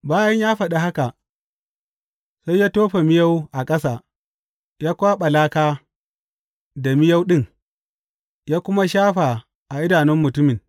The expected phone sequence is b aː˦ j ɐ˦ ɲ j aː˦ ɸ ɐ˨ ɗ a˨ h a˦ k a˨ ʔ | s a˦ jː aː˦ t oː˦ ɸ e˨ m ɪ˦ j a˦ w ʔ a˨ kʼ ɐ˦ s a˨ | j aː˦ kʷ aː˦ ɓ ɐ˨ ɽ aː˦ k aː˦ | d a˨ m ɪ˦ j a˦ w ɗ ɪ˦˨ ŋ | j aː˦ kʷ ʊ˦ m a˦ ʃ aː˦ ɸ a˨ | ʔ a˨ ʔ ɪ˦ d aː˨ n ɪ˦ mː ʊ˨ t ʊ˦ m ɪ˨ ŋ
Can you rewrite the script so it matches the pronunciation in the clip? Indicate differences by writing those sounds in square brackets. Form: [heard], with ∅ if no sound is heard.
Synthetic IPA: b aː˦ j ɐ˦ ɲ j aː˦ ɸ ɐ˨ ɗ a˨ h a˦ k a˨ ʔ | s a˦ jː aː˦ t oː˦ ɸ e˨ m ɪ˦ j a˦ w ʔ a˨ kʼ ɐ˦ s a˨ | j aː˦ kʷ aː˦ ɓ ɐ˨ [l] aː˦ k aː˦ | d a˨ m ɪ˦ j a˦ w ɗ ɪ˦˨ ŋ | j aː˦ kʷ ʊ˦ m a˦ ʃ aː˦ ɸ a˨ | ʔ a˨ ʔ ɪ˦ d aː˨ n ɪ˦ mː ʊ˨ t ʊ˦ m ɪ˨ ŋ